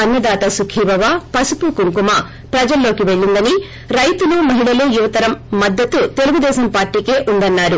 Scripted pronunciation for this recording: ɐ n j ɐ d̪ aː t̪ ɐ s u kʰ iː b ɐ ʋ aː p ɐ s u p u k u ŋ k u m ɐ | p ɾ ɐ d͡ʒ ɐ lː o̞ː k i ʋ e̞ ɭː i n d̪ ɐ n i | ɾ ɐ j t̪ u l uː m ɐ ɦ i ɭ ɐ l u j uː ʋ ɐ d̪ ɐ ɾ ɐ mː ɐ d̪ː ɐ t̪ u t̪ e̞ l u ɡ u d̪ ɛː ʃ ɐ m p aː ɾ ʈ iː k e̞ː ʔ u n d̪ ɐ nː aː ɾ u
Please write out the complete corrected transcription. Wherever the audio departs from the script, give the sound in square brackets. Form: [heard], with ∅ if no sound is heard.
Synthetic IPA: ɐ n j ɐ d̪ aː t̪ ɐ s u kʰ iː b ɐ ʋ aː p ɐ s u p u k u ŋ k u m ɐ | p ɾ ɐ d͡ʒ ɐ lː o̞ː k i ʋ e̞ ɭː i n d̪ ɐ n i | ɾ ɐ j t̪ u l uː m ɐ ɦ i ɭ ɐ l u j [u] ʋ ɐ [t̪] ɐ ɾ ɐ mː ɐ d̪ː ɐ t̪ u t̪ e̞ l u ɡ u d̪ ɛː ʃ ɐ m p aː ɾ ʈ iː k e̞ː ʔ u n d̪ ɐ nː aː ɾ u

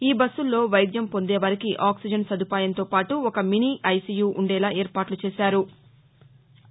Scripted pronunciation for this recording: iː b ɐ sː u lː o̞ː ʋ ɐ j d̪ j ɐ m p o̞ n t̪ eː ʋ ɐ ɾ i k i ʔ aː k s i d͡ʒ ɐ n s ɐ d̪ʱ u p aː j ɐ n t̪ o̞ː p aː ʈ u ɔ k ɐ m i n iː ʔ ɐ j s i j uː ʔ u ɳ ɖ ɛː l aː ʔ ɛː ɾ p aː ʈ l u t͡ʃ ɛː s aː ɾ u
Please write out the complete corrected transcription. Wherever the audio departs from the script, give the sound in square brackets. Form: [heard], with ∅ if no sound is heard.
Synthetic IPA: iː b ɐ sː u lː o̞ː ʋ ɐ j d̪ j ɐ m p o̞ n [d̪] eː ʋ ɐ ɾ i k i ʔ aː k s i d͡ʒ ɐ n s ɐ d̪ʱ u p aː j ɐ n t̪ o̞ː p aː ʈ u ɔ k ɐ m i n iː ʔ ɐ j s i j uː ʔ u ɳ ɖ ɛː l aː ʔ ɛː ɾ p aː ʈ l u t͡ʃ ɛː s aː ɾ u

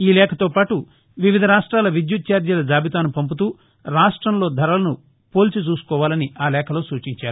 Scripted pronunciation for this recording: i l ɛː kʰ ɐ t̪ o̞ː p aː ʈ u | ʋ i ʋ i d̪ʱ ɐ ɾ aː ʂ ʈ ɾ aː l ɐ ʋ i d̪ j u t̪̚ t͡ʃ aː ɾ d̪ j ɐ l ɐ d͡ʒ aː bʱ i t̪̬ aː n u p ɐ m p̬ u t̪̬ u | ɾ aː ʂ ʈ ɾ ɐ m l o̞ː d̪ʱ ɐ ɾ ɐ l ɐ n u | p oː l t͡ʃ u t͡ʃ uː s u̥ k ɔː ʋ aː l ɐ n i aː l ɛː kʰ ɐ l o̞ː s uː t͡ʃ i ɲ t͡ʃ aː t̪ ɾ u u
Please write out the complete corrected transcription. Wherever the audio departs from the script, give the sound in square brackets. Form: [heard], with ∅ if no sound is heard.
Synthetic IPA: [iː] l ɛː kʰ ɐ t̪ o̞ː p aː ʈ u | ʋ i ʋ i d̪ʱ ɐ ɾ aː ʂ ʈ ɾ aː l ɐ ʋ i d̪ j u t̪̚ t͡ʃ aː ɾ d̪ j ɐ l ɐ d͡ʒ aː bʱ i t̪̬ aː n u p ɐ m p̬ u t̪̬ [uː] | ɾ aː ʂ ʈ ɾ ɐ m l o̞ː d̪ʱ ɐ ɾ ɐ l ɐ n u | p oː l t͡ʃ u t͡ʃ uː s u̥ k ɔː ʋ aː l ɐ n i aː l ɛː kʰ ɐ l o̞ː s uː t͡ʃ i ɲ t͡ʃ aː [∅] ɾ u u

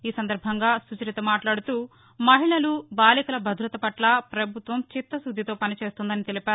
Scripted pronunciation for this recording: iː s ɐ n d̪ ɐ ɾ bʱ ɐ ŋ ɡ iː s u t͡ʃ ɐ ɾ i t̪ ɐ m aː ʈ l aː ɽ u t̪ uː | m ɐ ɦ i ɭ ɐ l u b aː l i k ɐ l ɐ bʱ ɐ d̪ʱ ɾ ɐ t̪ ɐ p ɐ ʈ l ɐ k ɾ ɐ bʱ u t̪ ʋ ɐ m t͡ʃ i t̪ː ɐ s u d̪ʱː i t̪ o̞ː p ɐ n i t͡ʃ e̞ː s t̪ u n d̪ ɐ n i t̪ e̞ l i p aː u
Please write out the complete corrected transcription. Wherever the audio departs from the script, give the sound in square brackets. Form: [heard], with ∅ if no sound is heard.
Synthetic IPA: iː s ɐ n d̪ ɐ ɾ bʱ ɐ ŋ ɡ [aː] s u t͡ʃ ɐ ɾ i t̪ ɐ m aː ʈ l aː ɽ u t̪ uː | m ɐ ɦ i ɭ ɐ l u b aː l i k ɐ l ɐ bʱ ɐ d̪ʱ ɾ ɐ t̪ ɐ p ɐ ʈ l ɐ [p] ɾ ɐ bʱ u t̪ ʋ ɐ m t͡ʃ i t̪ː ɐ s u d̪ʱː i t̪ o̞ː p ɐ n i t͡ʃ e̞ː s t̪ u n d̪ ɐ n i t̪ e̞ l i p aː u

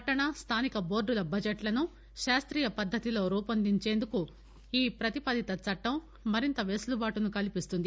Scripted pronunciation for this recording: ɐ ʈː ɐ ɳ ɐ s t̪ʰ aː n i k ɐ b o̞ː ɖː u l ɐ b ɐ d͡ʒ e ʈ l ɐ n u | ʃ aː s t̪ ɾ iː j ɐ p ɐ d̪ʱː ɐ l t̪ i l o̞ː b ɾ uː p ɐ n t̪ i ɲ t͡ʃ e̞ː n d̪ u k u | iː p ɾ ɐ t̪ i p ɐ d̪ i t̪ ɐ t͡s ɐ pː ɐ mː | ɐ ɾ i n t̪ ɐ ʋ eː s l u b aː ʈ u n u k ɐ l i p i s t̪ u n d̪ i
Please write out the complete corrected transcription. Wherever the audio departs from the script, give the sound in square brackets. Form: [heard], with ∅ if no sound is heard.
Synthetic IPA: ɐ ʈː ɐ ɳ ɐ s t̪ʰ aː n i k ɐ b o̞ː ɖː u l ɐ b ɐ d͡ʒ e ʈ l ɐ n u | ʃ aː s t̪ ɾ iː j ɐ p ɐ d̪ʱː ɐ [∅] t̪ i l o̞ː [∅] ɾ uː p ɐ n [d̪] i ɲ t͡ʃ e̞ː n d̪ u k u | iː p ɾ ɐ t̪ i p ɐ d̪ i t̪ ɐ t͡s ɐ [ʈː] ɐ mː | ɐ ɾ i n t̪ ɐ ʋ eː s l u b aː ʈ u n u k ɐ l i p i s t̪ u n d̪ i

